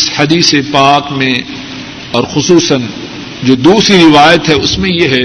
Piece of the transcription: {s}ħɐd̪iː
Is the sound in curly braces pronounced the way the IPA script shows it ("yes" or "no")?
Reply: yes